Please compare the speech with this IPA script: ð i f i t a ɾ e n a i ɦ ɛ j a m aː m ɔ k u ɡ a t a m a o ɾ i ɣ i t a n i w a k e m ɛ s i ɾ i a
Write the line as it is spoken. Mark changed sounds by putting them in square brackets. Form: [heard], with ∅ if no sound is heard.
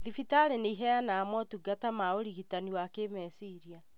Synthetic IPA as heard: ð i f i t a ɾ e n [e] i ɦ ɛ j a [n] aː m ɔ [t] u ɡ a t a m a o ɾ i ɣ i t a n i w a k e m ɛ s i ɾ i a